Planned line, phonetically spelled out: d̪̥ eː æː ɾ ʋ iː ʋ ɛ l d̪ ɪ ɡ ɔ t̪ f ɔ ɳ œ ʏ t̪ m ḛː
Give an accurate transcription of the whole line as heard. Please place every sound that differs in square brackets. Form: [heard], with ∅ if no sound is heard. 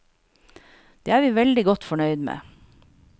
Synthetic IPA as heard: d̪̥ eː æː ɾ ʋ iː ʋ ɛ l d̪ ɪ ɡ ɔ t̪ f ɔ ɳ œ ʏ [d̪] m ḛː